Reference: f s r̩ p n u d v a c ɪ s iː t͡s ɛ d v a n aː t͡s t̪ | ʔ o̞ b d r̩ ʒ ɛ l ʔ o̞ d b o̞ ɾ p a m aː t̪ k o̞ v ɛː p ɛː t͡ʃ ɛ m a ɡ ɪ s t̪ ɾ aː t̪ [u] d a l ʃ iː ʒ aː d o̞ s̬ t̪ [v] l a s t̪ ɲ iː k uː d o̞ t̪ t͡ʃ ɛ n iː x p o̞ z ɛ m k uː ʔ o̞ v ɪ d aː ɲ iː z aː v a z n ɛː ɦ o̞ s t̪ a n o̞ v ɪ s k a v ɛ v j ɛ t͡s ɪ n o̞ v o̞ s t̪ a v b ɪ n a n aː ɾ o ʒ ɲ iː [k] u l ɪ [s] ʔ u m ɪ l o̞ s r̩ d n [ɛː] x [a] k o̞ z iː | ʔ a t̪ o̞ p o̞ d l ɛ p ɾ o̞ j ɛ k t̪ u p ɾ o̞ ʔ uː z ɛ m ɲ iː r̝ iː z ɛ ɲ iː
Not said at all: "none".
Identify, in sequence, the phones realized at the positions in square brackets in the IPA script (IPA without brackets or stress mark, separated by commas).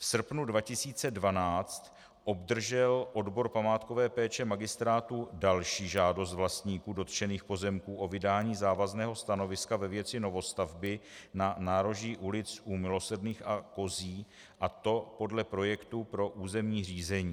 u, v, ʔ, t͡s, iː, a